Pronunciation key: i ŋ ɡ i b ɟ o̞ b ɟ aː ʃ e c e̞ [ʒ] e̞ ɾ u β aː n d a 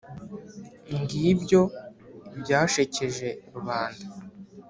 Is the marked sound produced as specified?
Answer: yes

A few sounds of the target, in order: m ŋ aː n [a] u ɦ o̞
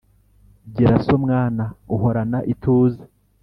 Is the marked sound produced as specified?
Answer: yes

